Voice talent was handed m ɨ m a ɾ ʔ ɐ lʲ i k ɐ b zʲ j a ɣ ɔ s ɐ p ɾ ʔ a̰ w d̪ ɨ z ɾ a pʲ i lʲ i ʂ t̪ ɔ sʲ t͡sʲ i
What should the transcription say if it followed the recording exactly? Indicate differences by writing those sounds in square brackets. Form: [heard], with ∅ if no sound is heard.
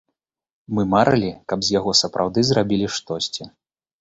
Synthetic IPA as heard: m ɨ m a ɾ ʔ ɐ lʲ i k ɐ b zʲ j a ɣ ɔ s ɐ p ɾ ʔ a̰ w d̪ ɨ z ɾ a [bʲ] i lʲ i ʂ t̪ ɔ sʲ t͡sʲ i